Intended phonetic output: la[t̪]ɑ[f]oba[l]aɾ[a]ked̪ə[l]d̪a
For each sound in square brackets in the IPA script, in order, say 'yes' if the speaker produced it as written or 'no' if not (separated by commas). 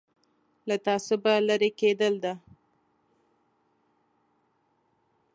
yes, no, yes, no, yes